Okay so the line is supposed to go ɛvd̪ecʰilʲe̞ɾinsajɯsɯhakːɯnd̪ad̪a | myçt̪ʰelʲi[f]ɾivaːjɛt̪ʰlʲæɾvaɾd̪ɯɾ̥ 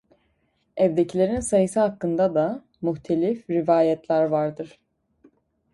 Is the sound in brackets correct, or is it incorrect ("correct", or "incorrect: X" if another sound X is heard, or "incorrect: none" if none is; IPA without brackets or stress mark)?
correct